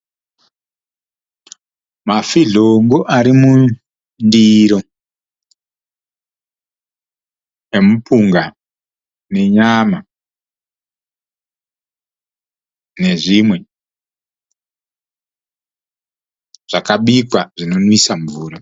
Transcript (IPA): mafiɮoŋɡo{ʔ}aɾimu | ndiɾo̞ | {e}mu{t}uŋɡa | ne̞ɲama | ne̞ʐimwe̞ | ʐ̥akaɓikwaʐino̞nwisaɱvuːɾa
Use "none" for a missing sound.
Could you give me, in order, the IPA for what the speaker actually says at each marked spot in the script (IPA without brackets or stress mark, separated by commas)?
ʔ, e, p